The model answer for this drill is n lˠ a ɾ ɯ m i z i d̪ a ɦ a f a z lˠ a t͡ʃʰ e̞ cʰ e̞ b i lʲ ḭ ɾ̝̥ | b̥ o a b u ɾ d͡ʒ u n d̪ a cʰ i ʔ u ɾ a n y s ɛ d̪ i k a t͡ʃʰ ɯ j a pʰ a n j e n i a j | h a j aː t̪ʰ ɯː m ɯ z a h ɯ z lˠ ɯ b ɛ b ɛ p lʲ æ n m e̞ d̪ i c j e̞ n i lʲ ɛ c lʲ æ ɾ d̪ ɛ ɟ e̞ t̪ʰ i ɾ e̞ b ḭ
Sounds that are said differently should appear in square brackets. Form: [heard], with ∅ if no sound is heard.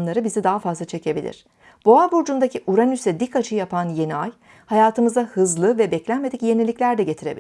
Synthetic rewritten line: n lˠ a ɾ ɯ [b] i z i d̪ a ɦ a f a z lˠ a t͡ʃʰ e̞ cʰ e̞ b i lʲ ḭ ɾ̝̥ | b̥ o a b u ɾ d͡ʒ u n d̪ a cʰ i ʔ u ɾ a n y s ɛ d̪ i k a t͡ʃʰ ɯ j a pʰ a n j e n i a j | h a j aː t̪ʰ [ɯ] m ɯ z a h ɯ z lˠ ɯ [v] ɛ b ɛ [c] lʲ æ n m e̞ d̪ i c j e̞ n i lʲ [i] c lʲ æ ɾ d̪ ɛ ɟ e̞ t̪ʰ i ɾ e̞ b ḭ